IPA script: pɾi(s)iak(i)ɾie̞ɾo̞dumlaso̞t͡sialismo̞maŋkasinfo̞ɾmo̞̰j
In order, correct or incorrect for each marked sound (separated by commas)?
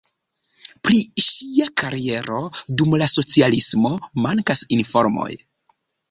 incorrect, incorrect